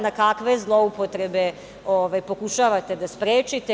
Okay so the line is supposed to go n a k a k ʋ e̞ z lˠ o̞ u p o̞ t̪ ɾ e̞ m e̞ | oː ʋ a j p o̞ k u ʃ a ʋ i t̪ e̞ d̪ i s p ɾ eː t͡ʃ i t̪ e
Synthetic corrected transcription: n a k a k ʋ e̞ z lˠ o̞ u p o̞ t̪ ɾ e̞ b e̞ | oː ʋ a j p o̞ k u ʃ a ʋ a t̪ e̞ d̪ a s p ɾ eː t͡ʃ i t̪ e